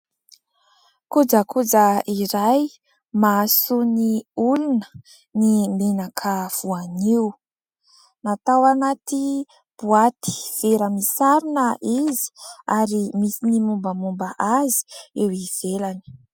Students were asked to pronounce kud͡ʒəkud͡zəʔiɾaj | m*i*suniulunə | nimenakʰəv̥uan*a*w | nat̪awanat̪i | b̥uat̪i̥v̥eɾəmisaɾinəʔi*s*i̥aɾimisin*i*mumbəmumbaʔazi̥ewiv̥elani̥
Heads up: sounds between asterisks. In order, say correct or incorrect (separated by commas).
incorrect, incorrect, incorrect, correct